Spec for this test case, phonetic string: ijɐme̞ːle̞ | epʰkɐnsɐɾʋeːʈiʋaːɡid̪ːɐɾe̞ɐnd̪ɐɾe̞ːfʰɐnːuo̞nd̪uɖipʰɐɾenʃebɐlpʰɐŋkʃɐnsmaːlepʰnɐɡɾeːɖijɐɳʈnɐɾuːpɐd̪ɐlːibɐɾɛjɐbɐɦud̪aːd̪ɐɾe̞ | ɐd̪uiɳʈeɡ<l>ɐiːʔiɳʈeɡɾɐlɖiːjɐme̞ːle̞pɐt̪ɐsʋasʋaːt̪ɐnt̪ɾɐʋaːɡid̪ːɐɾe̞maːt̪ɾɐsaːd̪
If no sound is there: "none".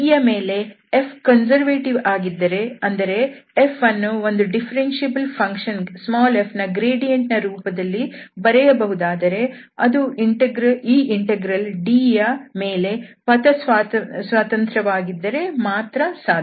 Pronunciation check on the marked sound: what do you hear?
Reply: ɾ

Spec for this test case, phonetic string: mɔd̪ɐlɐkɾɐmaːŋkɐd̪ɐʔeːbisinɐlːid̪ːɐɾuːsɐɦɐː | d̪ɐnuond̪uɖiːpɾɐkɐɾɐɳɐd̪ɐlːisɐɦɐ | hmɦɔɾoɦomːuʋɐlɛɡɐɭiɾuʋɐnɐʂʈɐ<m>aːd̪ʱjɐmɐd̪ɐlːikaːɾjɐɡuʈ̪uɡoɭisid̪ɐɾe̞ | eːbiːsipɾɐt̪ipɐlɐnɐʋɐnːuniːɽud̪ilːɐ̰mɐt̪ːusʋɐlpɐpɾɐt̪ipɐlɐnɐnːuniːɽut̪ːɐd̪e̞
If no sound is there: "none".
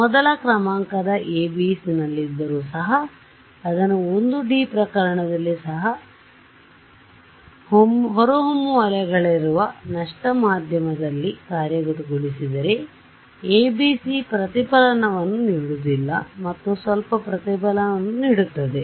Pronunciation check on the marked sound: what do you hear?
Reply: m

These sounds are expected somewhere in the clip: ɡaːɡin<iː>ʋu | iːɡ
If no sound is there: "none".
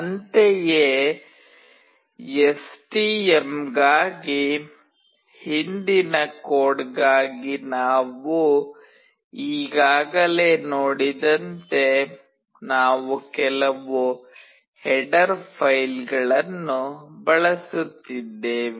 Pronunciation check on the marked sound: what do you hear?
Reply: aː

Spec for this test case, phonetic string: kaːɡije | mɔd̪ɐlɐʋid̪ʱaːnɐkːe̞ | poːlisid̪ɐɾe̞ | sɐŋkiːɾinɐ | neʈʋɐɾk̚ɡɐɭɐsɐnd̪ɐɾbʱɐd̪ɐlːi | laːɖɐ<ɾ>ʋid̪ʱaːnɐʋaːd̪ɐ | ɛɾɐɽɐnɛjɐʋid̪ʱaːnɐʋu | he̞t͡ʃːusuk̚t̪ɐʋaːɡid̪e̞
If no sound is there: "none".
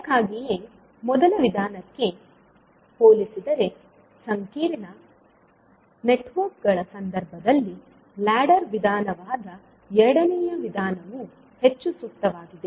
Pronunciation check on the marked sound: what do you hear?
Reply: ɾ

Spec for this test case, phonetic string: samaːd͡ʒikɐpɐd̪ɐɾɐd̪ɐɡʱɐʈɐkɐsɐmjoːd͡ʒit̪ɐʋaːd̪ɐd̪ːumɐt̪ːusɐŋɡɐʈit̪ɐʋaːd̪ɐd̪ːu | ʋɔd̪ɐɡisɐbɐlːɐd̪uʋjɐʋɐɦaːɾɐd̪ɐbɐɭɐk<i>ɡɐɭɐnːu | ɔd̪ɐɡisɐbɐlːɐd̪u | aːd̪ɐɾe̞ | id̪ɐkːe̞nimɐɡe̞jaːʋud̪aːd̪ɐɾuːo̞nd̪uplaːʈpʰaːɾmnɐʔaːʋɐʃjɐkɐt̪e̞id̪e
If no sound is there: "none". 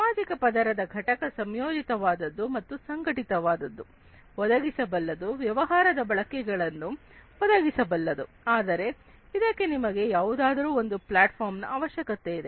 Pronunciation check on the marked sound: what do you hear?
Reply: ɛ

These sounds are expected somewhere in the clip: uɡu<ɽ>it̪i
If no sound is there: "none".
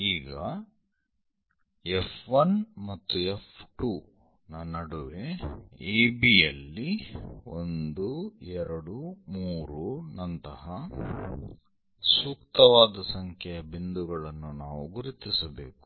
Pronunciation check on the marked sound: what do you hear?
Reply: ɾ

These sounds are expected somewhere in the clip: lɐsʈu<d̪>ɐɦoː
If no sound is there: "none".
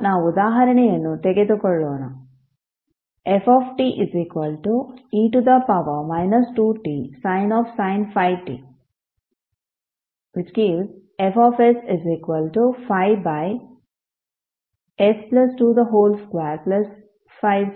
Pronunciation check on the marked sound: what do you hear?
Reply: d̪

